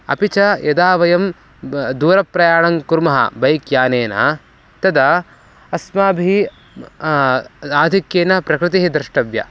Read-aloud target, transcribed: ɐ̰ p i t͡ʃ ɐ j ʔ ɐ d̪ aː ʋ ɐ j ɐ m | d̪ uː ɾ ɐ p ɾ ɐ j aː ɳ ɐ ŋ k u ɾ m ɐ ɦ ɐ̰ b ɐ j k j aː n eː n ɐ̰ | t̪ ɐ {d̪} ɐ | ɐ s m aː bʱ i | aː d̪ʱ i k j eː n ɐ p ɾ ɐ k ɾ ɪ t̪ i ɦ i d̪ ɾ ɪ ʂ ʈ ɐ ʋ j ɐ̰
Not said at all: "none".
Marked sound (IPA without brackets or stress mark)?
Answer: d̪